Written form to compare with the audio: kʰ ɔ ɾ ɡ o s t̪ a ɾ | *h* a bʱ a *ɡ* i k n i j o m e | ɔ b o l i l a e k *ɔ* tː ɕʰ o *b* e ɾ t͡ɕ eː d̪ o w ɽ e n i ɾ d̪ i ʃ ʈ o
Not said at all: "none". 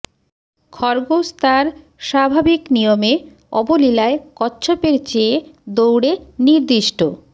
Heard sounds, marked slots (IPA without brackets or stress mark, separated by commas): ʃ, b, ɔ, p